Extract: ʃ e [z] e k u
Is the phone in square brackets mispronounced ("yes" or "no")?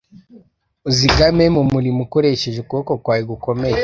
yes